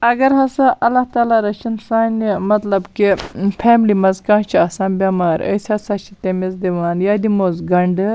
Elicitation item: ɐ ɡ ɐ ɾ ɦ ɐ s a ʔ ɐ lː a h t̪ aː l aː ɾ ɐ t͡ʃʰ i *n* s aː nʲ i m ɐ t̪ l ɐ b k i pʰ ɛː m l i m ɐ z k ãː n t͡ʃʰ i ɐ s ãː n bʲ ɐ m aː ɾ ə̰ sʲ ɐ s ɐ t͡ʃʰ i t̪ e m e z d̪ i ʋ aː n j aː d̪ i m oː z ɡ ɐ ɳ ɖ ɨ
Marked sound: correct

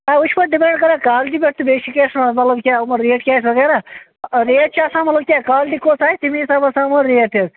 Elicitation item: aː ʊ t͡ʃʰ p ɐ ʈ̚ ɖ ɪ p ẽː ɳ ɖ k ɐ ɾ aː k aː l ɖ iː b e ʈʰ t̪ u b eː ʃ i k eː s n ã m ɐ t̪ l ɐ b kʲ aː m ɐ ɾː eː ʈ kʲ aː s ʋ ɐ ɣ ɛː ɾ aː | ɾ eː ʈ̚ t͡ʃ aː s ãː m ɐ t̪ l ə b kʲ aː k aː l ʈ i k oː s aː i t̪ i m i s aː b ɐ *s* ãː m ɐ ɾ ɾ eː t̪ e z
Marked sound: correct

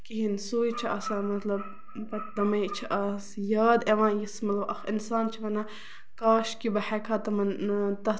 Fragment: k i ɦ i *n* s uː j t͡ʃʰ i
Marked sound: correct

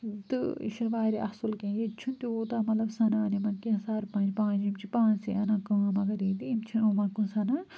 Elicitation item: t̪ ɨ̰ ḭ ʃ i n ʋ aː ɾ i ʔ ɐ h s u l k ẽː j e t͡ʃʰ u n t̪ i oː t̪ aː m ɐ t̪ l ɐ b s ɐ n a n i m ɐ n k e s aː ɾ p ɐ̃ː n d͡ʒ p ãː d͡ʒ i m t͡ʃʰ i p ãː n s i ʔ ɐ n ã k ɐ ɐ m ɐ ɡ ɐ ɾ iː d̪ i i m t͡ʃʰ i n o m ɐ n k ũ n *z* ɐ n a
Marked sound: incorrect: s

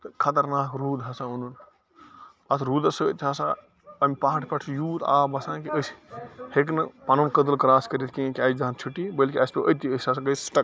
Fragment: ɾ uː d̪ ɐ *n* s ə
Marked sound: incorrect: none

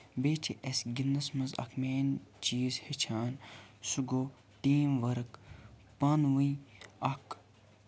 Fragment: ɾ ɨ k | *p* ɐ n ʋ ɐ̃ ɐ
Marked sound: correct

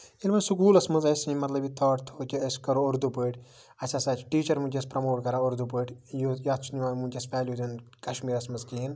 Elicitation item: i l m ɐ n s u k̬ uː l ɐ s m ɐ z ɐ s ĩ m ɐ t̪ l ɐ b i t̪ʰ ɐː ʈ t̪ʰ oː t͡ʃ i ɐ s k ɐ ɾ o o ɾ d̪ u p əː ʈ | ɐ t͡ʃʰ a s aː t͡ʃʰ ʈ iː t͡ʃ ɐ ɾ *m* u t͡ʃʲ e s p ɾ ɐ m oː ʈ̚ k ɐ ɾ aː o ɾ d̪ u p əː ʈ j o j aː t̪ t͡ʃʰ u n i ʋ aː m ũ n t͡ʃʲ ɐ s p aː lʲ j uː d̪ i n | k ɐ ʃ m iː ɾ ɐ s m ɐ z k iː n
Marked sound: correct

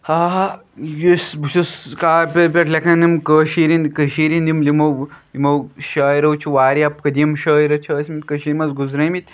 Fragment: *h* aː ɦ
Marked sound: correct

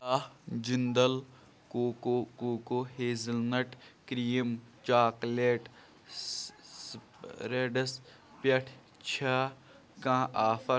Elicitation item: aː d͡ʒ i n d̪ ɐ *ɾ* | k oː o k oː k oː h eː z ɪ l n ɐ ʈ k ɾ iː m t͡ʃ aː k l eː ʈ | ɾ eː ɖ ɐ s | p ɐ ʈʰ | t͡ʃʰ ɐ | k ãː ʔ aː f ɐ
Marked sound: incorrect: l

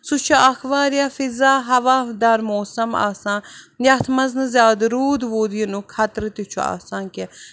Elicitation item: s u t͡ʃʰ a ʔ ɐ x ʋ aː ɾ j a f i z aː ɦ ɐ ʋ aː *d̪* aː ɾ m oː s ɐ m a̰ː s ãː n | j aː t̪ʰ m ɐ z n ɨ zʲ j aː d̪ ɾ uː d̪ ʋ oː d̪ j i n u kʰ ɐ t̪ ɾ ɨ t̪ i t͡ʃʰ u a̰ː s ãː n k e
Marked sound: correct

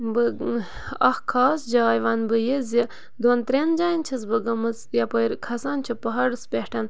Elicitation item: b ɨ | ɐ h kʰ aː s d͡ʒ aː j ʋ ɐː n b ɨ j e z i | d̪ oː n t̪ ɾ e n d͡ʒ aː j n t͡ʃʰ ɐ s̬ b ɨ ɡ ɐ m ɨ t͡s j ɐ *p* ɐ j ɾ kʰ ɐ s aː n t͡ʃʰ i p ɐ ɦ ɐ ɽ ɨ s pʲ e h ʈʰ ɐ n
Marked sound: correct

